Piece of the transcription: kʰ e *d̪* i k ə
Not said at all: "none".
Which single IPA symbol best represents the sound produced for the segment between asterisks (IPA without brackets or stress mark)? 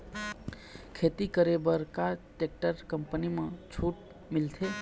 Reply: t̪